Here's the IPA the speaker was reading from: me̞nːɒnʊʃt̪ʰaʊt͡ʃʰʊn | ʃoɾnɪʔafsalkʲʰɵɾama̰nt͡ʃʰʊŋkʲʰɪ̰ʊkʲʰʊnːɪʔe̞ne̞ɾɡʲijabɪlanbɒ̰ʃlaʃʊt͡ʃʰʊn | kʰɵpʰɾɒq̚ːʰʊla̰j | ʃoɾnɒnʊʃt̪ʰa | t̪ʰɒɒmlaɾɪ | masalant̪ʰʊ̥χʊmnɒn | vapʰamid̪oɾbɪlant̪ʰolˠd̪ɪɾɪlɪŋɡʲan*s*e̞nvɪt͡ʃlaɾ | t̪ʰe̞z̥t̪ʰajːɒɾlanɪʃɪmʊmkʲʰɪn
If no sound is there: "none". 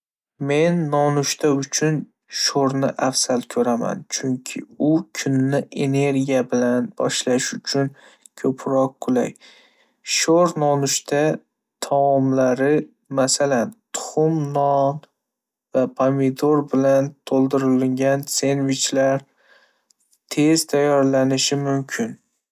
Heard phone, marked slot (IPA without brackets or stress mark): s